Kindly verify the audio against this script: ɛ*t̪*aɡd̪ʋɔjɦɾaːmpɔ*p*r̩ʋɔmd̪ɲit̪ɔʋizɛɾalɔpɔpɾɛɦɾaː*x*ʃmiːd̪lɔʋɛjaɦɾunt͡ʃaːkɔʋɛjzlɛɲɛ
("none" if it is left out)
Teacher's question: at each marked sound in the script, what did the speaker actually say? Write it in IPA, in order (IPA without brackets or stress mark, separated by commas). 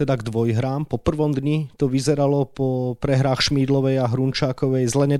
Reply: d̪, p, x